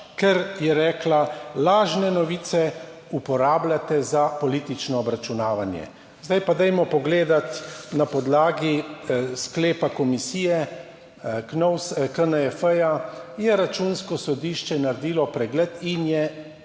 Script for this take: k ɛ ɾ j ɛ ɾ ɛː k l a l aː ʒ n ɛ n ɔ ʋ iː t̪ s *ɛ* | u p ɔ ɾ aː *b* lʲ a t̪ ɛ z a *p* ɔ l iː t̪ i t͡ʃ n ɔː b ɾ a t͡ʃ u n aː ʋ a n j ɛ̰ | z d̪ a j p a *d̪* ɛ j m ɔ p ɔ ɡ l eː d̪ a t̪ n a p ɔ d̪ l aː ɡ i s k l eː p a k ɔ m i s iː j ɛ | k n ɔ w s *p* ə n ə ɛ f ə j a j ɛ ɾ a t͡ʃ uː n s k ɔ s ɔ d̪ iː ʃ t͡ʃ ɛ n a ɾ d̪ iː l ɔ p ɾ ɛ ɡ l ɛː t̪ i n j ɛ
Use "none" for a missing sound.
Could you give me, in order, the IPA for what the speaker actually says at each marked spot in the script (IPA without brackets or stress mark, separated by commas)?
ɛ, b, p, d̪, k